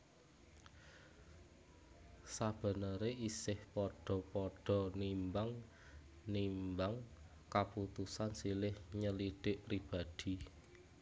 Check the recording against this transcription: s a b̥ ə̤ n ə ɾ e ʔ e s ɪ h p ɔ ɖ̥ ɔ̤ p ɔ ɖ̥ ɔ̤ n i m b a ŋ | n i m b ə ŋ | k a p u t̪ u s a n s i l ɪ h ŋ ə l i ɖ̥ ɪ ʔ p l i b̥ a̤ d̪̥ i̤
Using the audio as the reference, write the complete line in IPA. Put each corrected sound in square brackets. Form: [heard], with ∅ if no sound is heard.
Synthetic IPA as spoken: s a b̥ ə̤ n ə ɾ e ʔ [i] s ɪ h p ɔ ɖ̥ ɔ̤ p ɔ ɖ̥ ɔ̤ n i m b a ŋ | n i m b [a] ŋ | k a p u t̪ u s a n s i l ɪ h [ɲ] ə l i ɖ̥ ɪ ʔ p [ɾ] i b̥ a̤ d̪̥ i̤